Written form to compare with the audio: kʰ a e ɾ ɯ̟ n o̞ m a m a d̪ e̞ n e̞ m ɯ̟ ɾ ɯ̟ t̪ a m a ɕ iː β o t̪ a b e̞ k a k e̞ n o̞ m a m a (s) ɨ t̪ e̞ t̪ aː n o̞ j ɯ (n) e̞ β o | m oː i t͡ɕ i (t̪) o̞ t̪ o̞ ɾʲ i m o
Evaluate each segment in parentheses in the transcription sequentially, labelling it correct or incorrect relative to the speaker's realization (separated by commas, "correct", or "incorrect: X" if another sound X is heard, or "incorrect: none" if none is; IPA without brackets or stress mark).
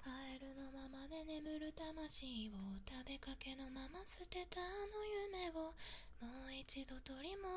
correct, incorrect: m, incorrect: d̪